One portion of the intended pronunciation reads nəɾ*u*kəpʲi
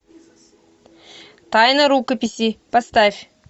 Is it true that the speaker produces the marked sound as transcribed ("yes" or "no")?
yes